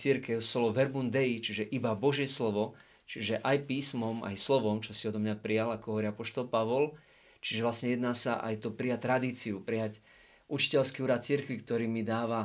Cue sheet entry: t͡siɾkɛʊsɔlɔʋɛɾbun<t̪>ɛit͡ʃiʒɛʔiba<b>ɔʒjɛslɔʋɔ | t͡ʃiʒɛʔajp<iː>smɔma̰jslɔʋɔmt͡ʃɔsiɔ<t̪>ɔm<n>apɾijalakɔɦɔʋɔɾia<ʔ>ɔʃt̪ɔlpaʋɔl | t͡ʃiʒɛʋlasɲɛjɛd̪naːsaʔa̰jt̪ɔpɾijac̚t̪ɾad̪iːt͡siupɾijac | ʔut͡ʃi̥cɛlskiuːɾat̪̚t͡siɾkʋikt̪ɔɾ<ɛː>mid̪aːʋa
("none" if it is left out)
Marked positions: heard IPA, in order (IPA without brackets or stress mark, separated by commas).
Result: d̪, b, iː, d̪, ɲ, p, iː